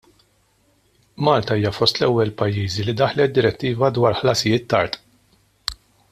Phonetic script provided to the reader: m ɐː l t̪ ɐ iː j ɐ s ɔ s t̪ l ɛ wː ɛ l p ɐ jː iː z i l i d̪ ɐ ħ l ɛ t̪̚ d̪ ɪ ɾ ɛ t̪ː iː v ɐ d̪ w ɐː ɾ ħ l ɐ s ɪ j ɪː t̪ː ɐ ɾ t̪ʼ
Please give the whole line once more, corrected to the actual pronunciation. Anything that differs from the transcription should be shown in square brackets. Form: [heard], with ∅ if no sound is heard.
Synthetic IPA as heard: m ɐː l t̪ ɐ iː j ɐ [f] ɔ s t̪ l ɛ wː ɛ l p ɐ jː iː z i l i d̪ ɐ ħ l ɛ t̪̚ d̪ ɪ ɾ ɛ t̪ː iː v ɐ d̪ w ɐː ɾ ħ l ɐ s ɪ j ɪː t̪ː ɐ ɾ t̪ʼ